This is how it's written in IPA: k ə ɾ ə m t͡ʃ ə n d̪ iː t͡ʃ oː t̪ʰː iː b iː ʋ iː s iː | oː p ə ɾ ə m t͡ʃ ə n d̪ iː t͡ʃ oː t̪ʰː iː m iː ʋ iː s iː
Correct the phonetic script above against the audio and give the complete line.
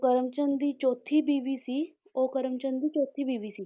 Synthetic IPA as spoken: k ə ɾ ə m t͡ʃ ə n d̪ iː t͡ʃ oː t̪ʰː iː b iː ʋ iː s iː | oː k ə ɾ ə m t͡ʃ ə n d̪ iː t͡ʃ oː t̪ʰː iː b iː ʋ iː s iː